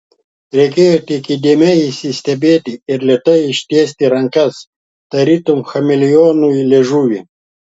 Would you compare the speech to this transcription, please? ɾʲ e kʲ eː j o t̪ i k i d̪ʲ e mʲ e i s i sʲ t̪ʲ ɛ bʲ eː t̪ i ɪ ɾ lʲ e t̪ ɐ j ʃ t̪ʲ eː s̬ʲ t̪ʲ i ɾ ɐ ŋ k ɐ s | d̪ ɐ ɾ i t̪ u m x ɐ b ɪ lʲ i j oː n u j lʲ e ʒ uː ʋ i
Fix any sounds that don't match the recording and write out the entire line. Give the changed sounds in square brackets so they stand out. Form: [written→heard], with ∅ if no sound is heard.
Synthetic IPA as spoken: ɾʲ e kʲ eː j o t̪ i k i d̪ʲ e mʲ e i s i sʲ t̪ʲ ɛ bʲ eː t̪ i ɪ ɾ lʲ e t̪ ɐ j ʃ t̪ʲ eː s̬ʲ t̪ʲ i ɾ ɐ ŋ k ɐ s | [d̪→t̪] ɐ ɾ i t̪ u m x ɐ [b→m] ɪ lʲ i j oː n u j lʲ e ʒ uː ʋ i